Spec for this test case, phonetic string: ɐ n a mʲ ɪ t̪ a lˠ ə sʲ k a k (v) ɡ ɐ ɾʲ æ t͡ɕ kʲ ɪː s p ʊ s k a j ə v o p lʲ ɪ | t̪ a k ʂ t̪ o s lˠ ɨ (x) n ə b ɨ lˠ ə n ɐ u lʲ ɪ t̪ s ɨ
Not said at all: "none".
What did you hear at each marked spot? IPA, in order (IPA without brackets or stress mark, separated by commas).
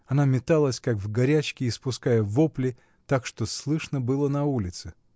v, ʂ